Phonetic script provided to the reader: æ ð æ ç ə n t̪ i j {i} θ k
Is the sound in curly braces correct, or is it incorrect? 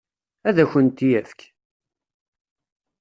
incorrect